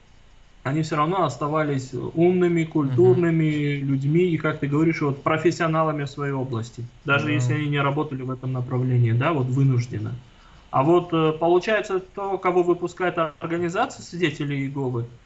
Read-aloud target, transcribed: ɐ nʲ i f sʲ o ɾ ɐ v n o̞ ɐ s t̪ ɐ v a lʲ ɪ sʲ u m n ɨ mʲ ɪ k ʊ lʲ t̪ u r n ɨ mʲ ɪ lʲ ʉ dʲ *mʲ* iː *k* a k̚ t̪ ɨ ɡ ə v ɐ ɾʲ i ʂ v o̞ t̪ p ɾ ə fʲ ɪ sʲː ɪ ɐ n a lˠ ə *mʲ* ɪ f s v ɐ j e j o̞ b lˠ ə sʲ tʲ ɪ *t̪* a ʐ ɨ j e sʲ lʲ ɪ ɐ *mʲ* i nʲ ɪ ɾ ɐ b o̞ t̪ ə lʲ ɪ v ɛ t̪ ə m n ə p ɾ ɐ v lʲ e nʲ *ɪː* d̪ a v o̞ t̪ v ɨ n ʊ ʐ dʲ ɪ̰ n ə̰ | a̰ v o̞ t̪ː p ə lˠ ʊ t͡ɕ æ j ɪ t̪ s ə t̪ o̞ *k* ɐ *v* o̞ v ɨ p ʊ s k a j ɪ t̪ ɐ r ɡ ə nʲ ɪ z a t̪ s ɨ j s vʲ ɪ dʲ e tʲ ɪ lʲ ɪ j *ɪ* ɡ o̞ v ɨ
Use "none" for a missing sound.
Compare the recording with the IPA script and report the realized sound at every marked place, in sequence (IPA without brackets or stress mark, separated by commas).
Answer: mʲ, k, mʲ, d̪, nʲ, ɪː, k, v, ɪ